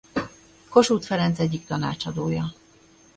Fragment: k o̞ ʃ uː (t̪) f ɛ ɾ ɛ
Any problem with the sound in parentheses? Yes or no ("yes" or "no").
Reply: no